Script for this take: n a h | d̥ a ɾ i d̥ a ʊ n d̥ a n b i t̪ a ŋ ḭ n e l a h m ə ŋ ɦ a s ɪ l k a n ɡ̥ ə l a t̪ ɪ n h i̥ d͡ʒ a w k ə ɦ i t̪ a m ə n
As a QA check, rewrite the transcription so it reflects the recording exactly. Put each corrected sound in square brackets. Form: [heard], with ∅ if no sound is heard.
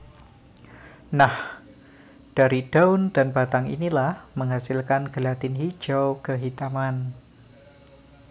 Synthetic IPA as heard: n a h | d̥ a ɾ i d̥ a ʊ n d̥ a n b [a] t̪ a ŋ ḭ n [i] l a h m ə ŋ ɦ a s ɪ l k a n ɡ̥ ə l a t̪ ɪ n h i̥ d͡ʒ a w k ə ɦ i t̪ a m [a] n